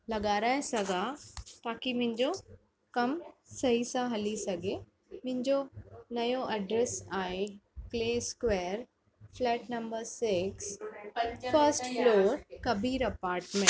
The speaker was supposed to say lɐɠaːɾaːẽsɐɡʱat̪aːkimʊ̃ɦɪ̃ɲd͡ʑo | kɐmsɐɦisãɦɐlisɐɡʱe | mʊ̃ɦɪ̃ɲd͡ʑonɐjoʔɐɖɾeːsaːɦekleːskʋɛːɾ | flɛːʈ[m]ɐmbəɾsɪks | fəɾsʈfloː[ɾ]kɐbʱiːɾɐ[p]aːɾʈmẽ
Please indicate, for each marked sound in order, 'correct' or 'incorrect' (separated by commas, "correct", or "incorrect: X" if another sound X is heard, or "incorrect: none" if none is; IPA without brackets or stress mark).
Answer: incorrect: n, correct, correct